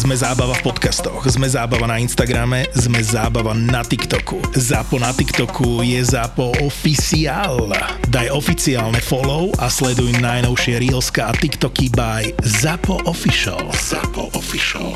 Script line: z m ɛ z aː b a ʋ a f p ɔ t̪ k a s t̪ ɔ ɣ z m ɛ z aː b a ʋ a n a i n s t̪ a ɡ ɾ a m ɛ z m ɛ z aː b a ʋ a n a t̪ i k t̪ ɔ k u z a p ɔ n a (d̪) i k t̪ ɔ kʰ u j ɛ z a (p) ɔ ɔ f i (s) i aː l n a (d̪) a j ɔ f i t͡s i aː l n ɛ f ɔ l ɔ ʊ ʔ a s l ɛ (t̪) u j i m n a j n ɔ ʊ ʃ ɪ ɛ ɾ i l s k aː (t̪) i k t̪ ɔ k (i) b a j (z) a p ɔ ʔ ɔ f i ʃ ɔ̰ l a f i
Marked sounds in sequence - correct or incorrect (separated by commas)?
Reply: incorrect, correct, correct, correct, incorrect, correct, correct, correct